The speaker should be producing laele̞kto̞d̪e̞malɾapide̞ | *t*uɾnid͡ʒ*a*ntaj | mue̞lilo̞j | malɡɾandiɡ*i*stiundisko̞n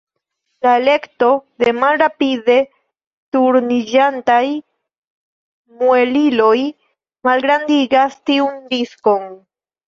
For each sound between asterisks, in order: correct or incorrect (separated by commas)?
correct, correct, incorrect